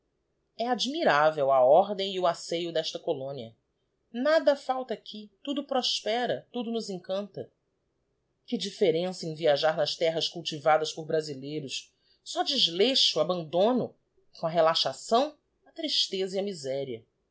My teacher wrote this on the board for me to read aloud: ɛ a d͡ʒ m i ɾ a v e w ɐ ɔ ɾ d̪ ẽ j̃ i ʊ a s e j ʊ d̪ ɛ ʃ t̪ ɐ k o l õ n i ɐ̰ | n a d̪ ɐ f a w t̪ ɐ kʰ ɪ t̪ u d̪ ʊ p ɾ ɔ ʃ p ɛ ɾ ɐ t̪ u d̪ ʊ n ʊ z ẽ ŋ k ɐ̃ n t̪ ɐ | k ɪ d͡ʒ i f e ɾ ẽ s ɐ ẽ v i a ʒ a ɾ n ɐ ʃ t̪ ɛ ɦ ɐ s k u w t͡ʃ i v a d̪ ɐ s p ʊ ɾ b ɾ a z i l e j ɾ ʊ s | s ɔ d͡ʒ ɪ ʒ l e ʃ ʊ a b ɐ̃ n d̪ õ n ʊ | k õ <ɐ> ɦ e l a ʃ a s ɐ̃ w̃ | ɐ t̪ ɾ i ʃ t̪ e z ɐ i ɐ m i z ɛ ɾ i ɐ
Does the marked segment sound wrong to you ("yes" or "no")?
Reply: no